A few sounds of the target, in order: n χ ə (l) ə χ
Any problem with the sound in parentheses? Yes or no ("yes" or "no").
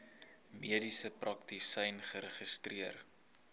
yes